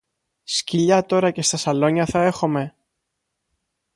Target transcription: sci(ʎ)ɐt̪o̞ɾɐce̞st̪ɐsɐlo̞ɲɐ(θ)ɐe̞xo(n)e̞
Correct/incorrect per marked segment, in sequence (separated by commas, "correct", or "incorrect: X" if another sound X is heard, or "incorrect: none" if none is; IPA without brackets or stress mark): correct, correct, incorrect: m